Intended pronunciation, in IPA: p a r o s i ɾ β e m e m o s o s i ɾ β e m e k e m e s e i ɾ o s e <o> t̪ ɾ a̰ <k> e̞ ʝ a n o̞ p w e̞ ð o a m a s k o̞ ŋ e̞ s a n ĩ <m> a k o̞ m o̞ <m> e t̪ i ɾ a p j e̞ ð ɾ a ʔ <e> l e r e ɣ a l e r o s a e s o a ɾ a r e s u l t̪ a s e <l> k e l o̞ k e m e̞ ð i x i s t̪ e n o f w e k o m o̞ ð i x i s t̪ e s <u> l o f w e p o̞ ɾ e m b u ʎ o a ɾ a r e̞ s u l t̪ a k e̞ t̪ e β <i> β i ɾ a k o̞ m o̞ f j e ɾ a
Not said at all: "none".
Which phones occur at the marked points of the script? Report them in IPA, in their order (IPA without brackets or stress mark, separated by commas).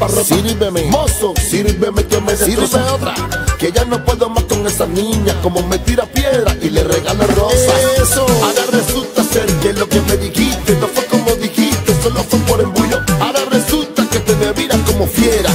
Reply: o, k, ɲ, m, i, ɾ, o, e